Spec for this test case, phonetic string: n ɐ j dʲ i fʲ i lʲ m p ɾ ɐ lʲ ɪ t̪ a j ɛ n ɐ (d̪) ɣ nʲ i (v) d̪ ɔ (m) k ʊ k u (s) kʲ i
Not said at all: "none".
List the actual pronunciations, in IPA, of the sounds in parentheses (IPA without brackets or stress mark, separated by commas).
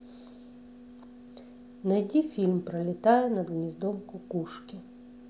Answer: d̪, z, m, ʂ